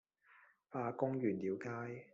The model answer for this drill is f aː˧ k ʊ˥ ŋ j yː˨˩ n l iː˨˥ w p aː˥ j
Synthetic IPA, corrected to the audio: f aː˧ k ʊ˥ ŋ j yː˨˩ n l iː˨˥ w k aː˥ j